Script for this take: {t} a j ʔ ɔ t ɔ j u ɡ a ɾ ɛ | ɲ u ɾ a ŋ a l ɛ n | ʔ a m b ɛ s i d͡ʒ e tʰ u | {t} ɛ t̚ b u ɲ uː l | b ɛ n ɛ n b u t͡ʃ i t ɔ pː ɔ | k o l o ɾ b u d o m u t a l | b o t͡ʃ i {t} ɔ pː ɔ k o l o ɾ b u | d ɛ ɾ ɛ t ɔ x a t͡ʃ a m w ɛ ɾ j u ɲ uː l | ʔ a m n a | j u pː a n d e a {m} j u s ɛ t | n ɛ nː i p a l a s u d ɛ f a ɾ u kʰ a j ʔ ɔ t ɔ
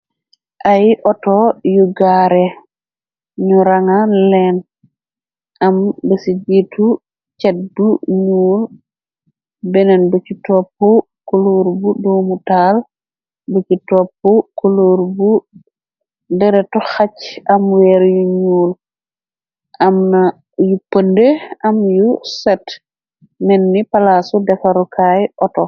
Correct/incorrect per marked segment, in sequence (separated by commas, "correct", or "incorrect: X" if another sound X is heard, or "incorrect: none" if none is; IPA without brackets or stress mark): incorrect: ʔ, incorrect: t͡ʃ, correct, correct